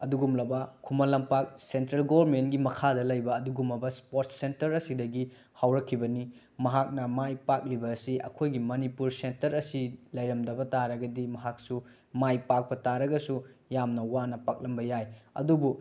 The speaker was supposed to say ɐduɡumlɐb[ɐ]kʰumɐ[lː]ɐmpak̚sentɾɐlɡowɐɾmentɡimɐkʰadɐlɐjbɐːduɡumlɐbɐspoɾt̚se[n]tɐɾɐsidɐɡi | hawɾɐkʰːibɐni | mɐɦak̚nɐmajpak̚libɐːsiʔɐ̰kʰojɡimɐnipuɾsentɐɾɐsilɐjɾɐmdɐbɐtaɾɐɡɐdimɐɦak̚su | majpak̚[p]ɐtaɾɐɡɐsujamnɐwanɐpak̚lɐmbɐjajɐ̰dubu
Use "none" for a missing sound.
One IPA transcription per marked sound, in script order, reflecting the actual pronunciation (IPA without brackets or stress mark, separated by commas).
ɐ, l, n, p